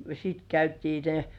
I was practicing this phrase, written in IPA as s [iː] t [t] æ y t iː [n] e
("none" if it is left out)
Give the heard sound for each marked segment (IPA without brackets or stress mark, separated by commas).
i, k, n